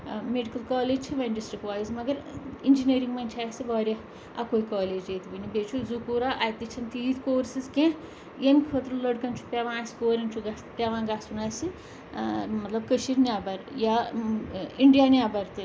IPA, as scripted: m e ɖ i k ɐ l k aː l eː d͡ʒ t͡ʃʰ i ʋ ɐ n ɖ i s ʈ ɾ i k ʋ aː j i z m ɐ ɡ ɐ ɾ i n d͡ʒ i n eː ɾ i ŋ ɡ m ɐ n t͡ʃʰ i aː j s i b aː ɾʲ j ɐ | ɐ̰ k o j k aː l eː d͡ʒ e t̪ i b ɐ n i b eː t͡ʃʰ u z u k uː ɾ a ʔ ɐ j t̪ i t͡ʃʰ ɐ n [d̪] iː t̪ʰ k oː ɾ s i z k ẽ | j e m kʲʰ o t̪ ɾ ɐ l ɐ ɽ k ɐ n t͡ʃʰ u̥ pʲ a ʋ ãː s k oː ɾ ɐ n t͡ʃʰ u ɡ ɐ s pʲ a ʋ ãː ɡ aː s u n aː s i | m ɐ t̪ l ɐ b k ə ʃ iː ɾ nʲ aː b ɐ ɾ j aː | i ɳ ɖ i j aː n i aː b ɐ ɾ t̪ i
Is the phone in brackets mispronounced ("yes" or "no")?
yes